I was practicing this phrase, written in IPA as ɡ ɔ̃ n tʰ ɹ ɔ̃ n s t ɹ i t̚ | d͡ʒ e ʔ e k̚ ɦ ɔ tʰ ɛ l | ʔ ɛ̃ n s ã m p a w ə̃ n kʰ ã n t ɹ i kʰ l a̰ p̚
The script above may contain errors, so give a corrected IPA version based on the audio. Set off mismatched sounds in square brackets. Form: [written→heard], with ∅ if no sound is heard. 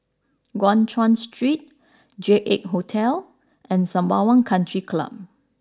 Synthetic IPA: ɡ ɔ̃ n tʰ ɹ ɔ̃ n s t ɹ i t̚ | d͡ʒ e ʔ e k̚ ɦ [ɔ→o] tʰ ɛ l | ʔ ɛ̃ n s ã m [p→b] a w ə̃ n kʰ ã n t ɹ i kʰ l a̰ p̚